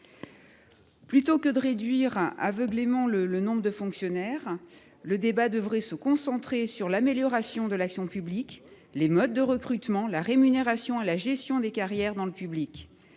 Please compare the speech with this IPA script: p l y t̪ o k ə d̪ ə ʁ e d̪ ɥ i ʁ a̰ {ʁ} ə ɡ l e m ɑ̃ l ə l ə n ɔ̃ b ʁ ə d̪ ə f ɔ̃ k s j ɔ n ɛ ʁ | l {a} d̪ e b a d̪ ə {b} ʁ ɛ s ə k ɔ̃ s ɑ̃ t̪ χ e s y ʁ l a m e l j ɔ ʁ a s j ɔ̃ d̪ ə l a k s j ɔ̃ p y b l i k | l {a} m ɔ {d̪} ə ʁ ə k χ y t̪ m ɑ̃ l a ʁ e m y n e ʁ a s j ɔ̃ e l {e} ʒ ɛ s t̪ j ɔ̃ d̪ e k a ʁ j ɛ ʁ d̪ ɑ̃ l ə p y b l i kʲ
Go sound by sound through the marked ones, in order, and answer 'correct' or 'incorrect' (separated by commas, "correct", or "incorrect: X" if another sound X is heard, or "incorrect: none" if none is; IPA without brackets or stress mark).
incorrect: v, incorrect: ə, incorrect: v, incorrect: e, incorrect: d̪ː, incorrect: a